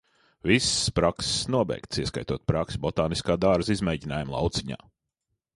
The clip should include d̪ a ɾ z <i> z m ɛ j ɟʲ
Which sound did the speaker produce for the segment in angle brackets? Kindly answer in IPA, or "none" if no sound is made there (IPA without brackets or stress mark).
i